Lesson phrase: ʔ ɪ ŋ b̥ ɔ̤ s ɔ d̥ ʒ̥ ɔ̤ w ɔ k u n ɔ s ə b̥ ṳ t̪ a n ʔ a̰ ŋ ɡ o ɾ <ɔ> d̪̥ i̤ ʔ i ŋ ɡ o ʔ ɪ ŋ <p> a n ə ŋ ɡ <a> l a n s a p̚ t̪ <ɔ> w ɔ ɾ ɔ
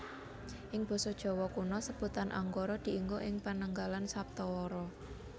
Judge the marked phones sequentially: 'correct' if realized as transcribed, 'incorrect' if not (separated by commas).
correct, correct, correct, correct